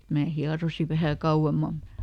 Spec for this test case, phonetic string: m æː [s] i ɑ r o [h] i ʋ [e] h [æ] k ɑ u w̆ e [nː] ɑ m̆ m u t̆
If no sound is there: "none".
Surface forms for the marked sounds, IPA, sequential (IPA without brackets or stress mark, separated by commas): h, s, æ, æ, mː